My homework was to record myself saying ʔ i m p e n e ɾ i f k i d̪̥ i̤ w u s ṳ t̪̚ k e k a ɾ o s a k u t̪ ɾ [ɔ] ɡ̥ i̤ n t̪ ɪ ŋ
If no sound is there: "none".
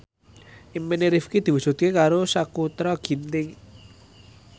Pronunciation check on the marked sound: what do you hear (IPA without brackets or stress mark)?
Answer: ɔ